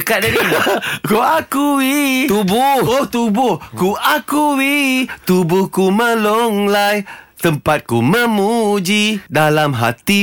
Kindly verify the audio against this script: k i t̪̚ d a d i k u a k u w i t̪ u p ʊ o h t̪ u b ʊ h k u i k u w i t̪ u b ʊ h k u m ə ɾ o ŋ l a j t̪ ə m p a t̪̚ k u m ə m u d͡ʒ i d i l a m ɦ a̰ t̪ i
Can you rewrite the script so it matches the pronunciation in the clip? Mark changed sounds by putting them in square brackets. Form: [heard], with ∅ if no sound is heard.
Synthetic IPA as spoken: k [a] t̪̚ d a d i k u a k u w i t̪ u [b] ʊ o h t̪ u b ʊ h k u [a] k u w i t̪ u b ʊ h k u m ə [l] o ŋ l a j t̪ ə m p a t̪̚ k u m ə m u d͡ʒ i d [a] l a m ɦ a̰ t̪ i